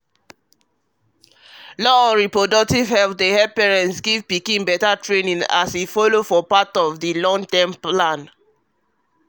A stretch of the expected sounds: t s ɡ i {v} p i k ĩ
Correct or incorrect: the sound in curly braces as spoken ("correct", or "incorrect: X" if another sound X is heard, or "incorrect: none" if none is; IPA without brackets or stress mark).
correct